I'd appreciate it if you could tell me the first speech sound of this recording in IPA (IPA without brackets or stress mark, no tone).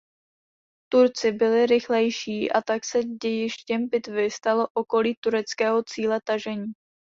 t̪